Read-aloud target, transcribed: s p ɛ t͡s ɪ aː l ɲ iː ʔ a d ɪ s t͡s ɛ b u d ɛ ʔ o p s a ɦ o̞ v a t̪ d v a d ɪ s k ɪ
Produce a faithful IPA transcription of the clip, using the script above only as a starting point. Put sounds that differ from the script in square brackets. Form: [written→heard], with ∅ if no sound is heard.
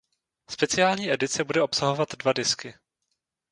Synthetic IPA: s p ɛ t͡s ɪ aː l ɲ iː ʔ [a→ɛ] d ɪ [s→∅] t͡s ɛ b u d ɛ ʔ o p s a ɦ o̞ v a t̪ d v a d ɪ s k ɪ